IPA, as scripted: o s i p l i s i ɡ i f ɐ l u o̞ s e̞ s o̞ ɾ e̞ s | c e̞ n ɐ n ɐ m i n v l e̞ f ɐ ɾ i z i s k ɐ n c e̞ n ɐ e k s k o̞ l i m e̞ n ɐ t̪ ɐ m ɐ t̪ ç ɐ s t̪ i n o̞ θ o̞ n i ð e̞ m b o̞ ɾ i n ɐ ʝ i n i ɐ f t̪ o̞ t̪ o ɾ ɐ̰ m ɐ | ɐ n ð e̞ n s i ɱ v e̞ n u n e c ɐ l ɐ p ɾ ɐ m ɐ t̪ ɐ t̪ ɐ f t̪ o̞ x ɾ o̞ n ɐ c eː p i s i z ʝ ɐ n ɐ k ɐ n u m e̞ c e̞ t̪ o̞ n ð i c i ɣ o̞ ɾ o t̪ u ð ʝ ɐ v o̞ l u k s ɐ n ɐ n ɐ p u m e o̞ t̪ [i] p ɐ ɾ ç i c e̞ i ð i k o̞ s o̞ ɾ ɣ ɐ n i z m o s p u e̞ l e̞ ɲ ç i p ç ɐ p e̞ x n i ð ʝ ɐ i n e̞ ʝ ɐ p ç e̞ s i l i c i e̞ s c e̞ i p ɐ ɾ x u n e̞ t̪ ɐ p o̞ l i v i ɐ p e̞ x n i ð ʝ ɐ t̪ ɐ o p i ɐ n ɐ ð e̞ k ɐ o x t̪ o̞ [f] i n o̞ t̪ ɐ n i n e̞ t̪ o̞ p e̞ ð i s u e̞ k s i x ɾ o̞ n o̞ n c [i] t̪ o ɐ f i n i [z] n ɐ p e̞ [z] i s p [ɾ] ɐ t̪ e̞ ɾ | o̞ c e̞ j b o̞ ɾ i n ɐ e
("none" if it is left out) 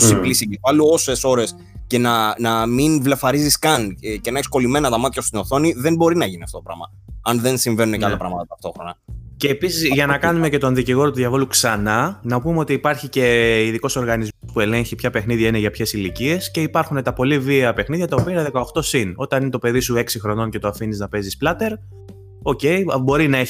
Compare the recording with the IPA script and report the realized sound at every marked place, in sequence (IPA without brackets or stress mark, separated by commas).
iː, s, e, z, z, l